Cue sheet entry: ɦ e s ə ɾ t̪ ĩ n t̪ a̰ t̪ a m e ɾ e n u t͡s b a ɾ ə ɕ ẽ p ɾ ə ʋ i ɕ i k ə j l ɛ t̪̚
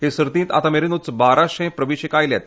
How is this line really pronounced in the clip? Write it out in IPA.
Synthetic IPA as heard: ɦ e s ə ɾ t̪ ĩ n t̪ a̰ t̪ a m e ɾ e n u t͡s b a ɾ a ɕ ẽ p ɾ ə ʋ i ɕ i k a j l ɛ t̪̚

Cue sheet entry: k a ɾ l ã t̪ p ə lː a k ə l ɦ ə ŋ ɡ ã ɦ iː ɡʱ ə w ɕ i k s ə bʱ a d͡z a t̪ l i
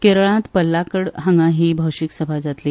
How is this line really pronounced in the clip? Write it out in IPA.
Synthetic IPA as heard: k e ɾ ɭ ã t̪ p ə lː a k ə ɽ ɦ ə ŋ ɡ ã ɦ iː bʱ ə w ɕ i k s ə bʱ a d͡z a t̪ l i

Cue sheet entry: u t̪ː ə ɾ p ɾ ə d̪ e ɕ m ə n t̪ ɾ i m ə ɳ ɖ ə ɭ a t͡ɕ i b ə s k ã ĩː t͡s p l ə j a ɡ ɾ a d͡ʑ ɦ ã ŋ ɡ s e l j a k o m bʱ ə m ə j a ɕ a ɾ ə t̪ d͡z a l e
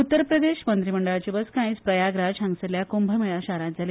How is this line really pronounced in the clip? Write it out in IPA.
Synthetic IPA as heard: u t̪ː ə ɾ p ɾ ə d̪ e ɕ m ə n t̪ ɾ i m ə ɳ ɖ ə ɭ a t͡ɕ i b ə s k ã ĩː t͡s p ɾ ə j a ɡ ɾ a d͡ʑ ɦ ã ŋ ɡ s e l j a k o m bʱ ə m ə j a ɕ a ɾ a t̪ d͡z a l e

